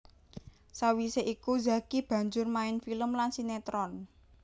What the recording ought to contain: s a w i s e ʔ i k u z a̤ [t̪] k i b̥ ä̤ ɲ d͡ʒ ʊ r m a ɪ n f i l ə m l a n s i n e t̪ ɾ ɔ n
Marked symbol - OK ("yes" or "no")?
no